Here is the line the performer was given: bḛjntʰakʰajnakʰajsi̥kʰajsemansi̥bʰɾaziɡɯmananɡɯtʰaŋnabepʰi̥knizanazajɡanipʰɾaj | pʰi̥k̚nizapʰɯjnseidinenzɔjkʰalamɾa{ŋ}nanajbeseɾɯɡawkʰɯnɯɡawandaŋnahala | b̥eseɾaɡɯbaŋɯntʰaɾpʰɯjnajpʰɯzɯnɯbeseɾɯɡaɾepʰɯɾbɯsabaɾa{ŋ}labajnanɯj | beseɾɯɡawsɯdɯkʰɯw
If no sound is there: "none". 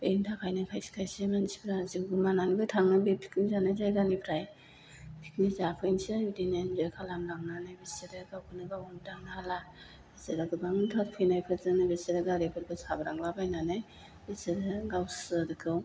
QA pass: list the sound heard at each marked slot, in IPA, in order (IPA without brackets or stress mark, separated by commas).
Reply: ŋ, ŋ